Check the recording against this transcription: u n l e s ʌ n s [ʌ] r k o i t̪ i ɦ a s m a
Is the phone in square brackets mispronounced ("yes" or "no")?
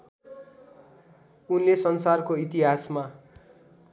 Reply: yes